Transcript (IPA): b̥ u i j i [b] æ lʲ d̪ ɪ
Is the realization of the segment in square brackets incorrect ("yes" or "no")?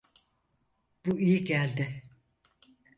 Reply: yes